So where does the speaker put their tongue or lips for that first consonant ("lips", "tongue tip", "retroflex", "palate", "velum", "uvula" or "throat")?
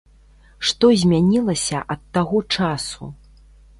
retroflex